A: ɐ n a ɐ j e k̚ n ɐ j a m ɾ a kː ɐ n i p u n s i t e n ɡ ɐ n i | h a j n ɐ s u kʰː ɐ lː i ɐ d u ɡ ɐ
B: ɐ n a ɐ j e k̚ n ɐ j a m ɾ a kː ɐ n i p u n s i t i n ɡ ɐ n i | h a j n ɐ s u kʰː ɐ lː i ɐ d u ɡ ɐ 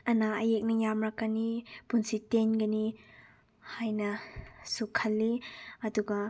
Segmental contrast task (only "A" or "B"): A